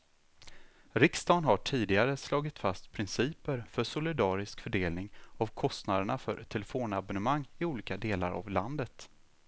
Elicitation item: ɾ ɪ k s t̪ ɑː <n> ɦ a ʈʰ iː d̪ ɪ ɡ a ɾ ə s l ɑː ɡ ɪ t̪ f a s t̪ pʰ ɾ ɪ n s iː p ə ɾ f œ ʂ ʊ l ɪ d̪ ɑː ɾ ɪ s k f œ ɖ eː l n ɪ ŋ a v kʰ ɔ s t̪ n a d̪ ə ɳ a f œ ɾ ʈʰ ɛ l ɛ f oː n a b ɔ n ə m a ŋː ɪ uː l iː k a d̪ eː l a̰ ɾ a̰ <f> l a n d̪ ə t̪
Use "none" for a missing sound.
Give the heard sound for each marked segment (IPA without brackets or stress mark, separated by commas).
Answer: n, v